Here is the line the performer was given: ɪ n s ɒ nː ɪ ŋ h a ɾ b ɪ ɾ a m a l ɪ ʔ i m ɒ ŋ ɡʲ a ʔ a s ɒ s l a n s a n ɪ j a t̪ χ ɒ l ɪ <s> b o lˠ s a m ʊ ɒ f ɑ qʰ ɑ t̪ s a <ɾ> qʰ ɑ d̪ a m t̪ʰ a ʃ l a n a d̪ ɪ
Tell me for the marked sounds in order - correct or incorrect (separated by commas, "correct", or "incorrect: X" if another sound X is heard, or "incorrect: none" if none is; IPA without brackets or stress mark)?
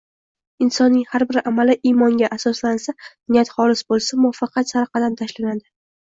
correct, correct